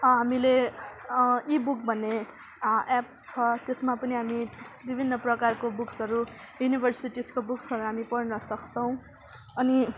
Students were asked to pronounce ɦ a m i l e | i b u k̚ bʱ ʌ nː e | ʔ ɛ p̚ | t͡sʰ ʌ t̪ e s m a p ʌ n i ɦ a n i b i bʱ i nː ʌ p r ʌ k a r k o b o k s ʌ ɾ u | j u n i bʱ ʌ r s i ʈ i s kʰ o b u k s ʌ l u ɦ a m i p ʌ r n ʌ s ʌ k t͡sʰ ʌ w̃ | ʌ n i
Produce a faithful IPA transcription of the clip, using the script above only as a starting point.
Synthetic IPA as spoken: ɦ a m i l e | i b u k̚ bʱ ʌ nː e | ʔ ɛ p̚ | t͡sʰ ʌ t̪ e s m a p ʌ n i ɦ a m i b i bʱ i nː ʌ p r ʌ k a r k o b u k s ʌ ɾ u | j u n i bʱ ʌ r s i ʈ i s k o b u k s ʌ ɾ u ɦ a m i p ʌ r n ʌ s ʌ k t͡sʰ ʌ w̃ | ʌ n i